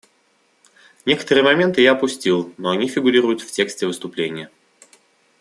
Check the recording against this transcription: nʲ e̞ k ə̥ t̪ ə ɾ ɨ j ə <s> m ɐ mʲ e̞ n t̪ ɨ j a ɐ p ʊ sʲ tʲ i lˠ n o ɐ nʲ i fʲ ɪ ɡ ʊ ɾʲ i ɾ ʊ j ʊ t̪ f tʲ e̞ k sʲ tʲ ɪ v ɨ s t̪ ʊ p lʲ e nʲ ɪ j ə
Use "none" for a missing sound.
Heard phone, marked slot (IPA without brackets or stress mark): none